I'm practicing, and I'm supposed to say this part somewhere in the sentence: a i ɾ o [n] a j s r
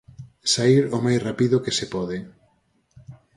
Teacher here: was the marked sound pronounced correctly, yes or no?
no